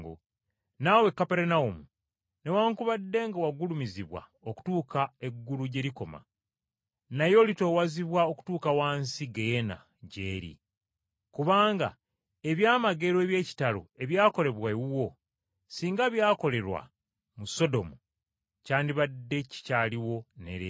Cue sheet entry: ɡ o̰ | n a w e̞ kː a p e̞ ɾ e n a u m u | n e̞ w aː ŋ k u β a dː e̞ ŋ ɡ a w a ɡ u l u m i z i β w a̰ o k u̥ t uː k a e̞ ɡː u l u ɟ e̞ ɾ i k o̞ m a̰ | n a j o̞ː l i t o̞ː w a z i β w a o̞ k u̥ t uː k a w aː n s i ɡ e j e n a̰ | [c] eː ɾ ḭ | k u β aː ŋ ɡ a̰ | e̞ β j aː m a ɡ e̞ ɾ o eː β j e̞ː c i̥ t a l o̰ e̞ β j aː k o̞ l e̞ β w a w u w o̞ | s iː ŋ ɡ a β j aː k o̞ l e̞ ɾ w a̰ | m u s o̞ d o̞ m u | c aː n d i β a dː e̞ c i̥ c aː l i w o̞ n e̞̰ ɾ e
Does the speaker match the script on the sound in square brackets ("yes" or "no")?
no